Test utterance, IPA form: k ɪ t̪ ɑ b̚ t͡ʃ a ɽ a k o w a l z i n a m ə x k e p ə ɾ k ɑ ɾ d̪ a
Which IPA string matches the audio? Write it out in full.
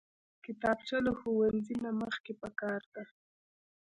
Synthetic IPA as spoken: k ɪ t̪ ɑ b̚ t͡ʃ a l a x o w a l z i n a m ə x k e p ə k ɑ ɾ d̪ a